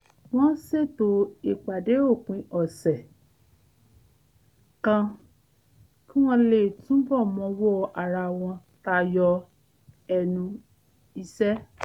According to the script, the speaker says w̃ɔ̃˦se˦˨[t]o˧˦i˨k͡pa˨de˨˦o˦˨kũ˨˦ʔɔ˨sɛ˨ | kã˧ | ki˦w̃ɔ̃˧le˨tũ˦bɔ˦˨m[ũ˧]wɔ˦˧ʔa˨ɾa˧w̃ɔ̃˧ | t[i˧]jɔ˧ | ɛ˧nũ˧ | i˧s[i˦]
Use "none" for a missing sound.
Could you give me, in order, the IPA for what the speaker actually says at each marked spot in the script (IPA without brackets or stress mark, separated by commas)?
t, ɔ̃˧, a˧, ɛ˦